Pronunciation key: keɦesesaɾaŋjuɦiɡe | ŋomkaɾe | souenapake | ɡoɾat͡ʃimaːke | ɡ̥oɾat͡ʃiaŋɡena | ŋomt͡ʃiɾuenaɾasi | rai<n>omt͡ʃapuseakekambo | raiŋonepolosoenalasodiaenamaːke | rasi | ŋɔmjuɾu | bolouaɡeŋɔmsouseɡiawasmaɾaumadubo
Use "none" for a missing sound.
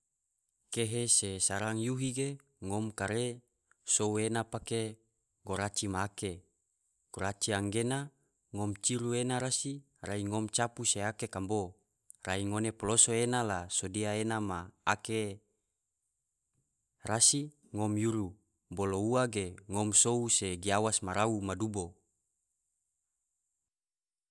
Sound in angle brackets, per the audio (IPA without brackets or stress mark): ŋ